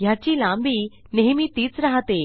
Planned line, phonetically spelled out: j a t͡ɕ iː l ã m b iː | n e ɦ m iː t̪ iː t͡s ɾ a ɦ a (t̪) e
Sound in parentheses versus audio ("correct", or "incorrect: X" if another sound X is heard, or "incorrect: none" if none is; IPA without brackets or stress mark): correct